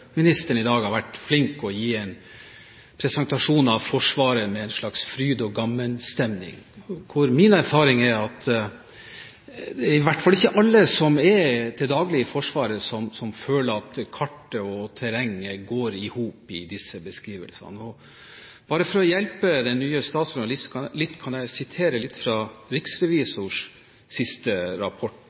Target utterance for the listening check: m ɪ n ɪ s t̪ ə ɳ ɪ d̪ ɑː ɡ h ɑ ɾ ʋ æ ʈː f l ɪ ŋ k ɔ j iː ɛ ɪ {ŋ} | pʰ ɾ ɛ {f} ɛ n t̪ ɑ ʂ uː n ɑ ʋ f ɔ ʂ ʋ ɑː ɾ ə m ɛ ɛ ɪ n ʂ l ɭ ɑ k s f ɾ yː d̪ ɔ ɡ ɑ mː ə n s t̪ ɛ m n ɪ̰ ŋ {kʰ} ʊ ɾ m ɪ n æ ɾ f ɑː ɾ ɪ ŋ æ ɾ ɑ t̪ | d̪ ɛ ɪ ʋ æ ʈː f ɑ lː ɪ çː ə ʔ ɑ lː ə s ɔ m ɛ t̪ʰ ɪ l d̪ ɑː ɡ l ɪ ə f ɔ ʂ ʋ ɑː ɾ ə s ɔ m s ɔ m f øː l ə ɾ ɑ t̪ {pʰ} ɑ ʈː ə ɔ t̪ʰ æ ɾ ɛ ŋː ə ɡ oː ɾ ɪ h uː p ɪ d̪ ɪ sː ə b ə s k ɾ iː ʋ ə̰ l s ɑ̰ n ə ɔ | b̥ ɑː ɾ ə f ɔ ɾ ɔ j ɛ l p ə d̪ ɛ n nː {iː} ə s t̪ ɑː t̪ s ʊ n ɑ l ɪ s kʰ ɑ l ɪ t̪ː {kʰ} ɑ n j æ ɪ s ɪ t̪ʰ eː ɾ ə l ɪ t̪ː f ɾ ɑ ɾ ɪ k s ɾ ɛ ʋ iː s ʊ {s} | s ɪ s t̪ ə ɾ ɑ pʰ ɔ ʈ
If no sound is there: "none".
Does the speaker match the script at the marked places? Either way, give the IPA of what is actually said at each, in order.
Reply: n, s, kʰ, kʰ, yː, kʰ, ʂ

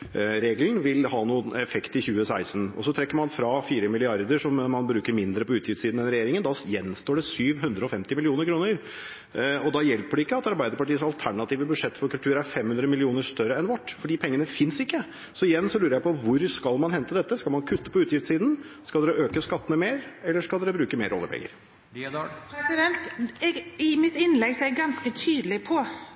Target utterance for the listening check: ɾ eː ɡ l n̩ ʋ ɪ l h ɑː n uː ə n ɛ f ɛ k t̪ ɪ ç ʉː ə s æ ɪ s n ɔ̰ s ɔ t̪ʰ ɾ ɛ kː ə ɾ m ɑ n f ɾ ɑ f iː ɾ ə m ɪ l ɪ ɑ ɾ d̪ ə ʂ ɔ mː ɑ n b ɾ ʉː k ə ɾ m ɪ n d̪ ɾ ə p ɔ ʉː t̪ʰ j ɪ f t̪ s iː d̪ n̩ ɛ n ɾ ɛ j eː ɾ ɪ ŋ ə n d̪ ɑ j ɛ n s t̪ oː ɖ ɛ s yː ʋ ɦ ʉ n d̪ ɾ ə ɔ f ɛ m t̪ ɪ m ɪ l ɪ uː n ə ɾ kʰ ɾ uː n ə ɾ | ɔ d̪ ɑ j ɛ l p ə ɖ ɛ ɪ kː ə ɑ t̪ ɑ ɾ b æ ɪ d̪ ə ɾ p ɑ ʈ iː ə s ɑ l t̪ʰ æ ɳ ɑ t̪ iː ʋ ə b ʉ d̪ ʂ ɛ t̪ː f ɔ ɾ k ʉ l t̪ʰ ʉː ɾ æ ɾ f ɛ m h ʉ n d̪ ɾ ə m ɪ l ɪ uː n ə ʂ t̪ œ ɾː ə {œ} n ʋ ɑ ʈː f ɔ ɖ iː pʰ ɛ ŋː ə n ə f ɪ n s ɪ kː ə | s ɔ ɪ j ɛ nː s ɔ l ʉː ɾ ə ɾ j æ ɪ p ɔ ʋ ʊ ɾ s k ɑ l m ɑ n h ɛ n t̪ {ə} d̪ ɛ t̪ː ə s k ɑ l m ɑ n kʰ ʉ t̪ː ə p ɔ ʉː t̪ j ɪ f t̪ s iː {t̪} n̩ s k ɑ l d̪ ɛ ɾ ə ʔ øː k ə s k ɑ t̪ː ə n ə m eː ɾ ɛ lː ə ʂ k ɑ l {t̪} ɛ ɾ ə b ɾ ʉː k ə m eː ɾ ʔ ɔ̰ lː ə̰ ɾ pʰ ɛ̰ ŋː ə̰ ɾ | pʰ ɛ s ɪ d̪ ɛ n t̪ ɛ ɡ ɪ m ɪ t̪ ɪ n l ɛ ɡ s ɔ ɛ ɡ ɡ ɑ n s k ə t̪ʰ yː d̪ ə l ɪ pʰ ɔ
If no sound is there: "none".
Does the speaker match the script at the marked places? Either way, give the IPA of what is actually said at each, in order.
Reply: ɛ, ə, d̪, d̪

